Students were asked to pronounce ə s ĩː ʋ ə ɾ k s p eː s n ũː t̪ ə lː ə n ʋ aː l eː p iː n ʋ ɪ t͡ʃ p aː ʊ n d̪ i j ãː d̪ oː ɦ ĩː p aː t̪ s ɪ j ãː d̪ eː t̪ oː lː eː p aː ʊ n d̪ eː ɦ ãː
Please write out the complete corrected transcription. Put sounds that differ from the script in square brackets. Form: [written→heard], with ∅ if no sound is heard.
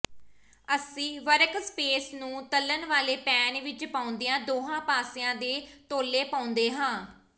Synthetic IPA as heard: ə s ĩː ʋ ə ɾ k s p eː s n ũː t̪ ə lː ə n ʋ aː l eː p [iː→ɛː] n ʋ ɪ t͡ʃ p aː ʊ n d̪ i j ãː d̪ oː ɦ [ĩː→ãː] p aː [t̪→∅] s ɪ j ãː d̪ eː t̪ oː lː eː p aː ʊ n d̪ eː ɦ ãː